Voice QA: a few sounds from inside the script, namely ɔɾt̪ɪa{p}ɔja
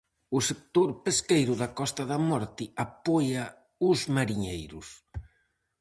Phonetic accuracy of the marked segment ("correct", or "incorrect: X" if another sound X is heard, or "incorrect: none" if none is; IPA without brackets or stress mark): correct